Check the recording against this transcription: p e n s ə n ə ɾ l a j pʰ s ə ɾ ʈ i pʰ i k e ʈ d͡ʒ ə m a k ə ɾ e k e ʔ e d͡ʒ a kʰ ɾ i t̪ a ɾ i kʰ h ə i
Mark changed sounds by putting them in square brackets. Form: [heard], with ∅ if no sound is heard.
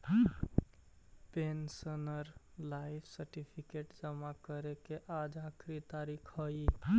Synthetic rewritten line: p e n s ə n ə ɾ l a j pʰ s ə ɾ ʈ i pʰ i k e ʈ d͡ʒ ə m a k ə ɾ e k e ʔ [a] d͡ʒ a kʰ ɾ i t̪ a ɾ i kʰ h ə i